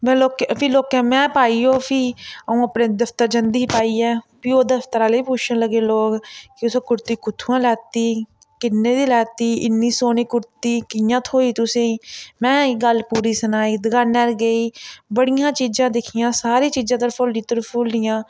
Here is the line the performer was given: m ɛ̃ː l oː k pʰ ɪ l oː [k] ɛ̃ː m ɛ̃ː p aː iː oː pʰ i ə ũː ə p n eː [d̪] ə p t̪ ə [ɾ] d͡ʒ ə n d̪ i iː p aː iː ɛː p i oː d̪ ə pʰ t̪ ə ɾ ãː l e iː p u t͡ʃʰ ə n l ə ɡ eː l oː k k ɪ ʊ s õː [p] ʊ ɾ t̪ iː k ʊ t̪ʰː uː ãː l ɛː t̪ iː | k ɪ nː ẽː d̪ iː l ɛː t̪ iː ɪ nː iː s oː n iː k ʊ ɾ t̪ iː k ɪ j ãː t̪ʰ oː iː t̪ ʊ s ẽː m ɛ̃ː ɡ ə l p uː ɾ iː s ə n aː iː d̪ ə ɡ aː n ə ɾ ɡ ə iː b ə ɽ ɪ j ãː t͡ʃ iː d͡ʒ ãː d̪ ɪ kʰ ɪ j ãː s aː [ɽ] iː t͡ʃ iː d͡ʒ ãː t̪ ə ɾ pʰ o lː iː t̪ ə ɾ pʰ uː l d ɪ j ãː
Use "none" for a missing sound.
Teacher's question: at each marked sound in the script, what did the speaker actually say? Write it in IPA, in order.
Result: k, d̪, ɾ, k, ɾ

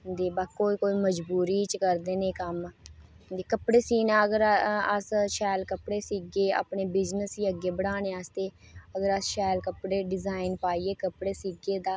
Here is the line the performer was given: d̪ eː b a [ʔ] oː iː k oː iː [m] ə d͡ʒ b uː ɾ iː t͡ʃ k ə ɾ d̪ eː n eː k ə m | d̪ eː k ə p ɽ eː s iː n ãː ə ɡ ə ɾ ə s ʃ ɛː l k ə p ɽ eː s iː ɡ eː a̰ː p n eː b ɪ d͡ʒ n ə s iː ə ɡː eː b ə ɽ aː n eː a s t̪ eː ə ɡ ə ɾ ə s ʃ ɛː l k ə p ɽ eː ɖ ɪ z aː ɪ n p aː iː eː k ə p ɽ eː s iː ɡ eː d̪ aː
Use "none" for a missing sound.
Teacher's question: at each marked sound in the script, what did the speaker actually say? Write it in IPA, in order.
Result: k, m

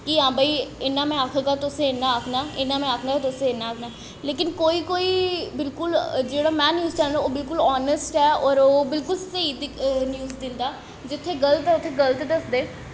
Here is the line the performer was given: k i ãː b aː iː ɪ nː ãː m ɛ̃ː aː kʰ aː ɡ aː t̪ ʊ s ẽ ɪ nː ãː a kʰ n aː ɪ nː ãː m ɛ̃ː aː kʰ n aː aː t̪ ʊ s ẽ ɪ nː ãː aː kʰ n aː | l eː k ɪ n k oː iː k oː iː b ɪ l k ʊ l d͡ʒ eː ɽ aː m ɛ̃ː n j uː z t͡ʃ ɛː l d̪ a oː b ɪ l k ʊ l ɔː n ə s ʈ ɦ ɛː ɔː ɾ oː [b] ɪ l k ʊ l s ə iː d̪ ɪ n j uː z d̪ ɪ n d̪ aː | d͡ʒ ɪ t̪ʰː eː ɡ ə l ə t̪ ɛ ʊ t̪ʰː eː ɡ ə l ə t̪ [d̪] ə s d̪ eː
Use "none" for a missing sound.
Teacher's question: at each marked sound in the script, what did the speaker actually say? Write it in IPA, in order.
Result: b, d̪

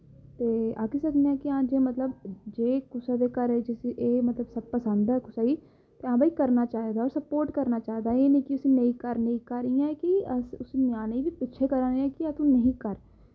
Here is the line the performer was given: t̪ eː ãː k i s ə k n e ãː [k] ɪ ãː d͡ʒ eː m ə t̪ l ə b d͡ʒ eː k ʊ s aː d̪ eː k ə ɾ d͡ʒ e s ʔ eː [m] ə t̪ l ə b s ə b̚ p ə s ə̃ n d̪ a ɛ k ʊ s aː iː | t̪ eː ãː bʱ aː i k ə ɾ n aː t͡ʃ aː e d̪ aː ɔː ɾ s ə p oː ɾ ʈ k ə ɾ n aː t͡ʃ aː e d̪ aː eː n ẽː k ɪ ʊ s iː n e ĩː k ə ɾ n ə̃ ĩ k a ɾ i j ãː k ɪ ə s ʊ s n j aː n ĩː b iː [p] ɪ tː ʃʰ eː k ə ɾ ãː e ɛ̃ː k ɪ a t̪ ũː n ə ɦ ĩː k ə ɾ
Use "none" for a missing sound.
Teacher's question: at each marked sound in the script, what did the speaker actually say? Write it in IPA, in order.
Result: k, m, p

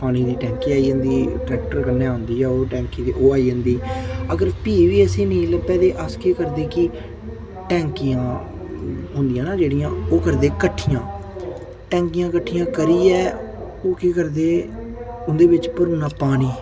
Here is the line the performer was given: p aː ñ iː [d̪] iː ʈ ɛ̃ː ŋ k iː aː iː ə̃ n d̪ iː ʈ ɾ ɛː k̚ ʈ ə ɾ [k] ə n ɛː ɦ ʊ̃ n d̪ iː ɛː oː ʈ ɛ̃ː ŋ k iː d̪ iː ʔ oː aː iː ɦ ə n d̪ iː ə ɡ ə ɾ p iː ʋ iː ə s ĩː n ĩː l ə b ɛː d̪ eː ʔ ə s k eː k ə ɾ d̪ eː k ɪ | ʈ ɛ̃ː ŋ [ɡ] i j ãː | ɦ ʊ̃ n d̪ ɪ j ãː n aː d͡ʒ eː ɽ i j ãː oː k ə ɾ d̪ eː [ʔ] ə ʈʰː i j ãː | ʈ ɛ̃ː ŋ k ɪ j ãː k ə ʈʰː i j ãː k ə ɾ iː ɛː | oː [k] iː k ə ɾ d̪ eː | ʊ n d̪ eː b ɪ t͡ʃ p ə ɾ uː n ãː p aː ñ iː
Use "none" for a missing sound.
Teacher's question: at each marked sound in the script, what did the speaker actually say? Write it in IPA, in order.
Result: d̪, k, k, k, k

